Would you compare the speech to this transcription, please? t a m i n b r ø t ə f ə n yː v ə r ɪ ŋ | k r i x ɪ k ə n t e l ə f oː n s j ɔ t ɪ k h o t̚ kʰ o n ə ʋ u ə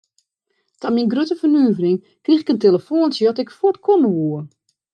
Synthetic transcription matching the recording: t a m i n ɡ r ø t ə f ə n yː v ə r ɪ ŋ | k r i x ɪ k ə n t e l ə f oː n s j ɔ t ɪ k f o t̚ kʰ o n ə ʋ u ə